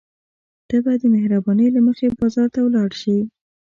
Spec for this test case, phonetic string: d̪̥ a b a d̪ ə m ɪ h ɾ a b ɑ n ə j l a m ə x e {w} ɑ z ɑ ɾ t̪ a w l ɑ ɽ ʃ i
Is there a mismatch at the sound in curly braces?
yes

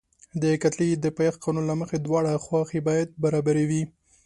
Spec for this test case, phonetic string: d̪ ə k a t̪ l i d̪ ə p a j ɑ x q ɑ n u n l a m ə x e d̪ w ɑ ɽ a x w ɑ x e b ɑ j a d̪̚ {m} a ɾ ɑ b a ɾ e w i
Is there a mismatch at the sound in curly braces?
yes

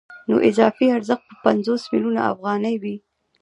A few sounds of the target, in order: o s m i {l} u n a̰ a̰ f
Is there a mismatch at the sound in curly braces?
no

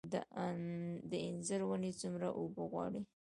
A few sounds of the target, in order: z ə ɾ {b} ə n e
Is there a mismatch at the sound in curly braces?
yes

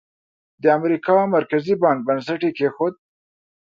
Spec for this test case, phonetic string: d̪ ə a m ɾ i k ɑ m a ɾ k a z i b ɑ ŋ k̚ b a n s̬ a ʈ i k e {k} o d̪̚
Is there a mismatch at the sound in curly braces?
yes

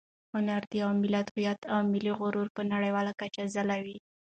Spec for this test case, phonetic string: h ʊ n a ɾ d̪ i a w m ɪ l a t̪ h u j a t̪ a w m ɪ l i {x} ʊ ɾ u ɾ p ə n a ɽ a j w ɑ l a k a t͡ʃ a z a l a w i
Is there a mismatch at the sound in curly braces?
yes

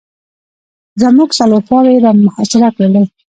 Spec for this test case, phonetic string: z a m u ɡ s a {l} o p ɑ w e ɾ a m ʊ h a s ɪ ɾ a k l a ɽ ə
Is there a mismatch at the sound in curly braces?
no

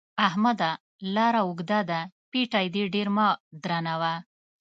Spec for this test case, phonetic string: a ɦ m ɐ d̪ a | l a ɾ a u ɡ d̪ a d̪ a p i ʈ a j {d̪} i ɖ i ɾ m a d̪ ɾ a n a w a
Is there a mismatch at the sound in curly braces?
no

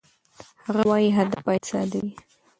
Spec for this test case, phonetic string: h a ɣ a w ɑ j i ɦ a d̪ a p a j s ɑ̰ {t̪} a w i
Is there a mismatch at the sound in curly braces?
yes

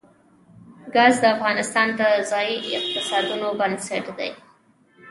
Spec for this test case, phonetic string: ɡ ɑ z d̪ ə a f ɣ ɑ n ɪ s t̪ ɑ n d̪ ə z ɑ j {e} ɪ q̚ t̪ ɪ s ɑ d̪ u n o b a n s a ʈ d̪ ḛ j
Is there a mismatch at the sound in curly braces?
yes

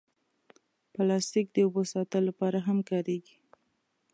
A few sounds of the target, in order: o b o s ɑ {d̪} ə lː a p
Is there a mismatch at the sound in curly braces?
yes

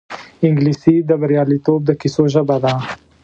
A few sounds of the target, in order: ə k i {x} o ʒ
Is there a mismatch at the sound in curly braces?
yes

